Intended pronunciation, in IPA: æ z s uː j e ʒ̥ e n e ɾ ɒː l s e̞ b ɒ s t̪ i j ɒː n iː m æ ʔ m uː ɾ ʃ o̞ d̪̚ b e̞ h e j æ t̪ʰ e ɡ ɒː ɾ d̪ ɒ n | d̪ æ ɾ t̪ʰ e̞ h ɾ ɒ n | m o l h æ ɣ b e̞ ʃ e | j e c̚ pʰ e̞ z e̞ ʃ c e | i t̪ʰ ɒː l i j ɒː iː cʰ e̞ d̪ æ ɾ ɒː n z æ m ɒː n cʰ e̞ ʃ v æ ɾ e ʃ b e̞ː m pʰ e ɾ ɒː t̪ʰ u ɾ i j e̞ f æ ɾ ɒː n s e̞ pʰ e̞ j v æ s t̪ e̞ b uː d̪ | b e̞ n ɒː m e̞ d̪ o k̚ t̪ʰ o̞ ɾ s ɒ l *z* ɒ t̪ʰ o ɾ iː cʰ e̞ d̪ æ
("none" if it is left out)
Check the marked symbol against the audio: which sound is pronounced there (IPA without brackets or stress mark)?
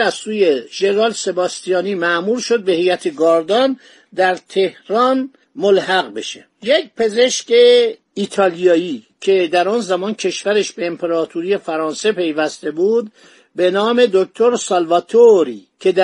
v